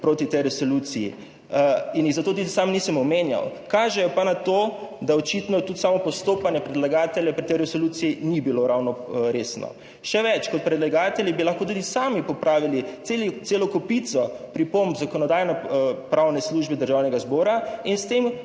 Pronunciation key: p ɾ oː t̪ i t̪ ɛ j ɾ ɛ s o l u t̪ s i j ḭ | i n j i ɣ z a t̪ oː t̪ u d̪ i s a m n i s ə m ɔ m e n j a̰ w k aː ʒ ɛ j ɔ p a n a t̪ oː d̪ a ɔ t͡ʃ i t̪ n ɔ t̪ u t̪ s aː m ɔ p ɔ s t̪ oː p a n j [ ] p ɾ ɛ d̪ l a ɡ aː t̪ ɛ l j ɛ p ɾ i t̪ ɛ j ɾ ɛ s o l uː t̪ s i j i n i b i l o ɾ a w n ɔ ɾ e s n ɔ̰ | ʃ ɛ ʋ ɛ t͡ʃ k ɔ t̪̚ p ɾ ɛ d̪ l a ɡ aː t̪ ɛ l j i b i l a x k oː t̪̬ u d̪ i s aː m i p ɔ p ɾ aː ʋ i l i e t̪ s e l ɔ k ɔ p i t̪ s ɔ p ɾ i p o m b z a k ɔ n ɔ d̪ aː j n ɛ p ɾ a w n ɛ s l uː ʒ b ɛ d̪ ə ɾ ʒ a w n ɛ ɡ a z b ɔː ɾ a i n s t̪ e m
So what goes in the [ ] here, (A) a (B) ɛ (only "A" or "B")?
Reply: B